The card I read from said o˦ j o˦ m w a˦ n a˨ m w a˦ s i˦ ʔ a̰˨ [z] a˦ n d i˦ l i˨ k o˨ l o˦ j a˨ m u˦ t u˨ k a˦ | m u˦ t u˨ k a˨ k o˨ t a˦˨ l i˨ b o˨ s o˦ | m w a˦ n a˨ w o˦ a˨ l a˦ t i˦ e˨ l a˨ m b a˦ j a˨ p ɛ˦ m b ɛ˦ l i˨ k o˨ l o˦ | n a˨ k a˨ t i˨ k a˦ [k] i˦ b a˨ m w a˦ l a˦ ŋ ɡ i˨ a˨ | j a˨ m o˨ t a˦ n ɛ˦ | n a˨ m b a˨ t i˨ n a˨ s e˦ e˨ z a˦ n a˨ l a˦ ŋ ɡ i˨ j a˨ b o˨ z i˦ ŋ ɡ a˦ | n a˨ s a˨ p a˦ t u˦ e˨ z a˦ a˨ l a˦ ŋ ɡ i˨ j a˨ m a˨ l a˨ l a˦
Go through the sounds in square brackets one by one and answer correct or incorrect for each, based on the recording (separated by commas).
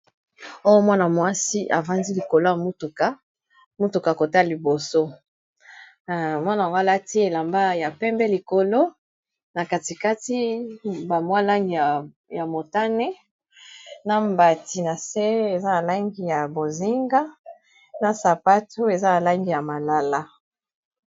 incorrect, incorrect